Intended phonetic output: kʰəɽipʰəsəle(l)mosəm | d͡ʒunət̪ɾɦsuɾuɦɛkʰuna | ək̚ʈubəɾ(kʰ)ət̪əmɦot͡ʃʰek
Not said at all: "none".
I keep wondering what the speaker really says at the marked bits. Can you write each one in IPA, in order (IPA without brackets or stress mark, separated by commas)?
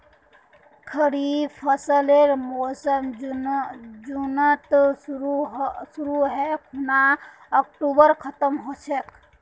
ɾ, kʰ